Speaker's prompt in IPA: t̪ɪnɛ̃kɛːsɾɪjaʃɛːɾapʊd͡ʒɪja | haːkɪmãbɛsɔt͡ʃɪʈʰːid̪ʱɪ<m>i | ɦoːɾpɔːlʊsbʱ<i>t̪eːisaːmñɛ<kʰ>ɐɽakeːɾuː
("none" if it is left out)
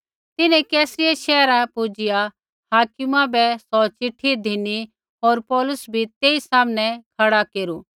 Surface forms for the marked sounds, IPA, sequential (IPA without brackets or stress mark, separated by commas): n, i, kʰ